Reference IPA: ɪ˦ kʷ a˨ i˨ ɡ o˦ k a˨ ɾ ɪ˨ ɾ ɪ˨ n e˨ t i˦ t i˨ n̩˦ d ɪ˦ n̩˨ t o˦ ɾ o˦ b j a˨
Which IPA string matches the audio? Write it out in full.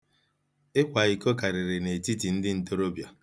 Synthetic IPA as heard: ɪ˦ kʷ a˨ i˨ k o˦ k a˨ ɾ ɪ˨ ɾ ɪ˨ n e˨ t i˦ t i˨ n̩˦ d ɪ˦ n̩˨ t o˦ ɾ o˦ b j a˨